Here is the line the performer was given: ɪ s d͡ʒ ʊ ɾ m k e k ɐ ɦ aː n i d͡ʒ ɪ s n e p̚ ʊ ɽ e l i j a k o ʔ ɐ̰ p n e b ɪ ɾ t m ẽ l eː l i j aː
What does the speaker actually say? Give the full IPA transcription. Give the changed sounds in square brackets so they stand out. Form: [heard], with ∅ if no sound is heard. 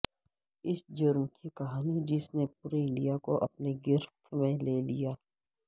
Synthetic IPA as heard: ɪ s d͡ʒ ʊ ɾ m k [i] k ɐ ɦ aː n i d͡ʒ ɪ s n e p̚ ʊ [ɾ] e l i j a k o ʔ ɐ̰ p n e [ɡ] ɪ ɾ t m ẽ l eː l i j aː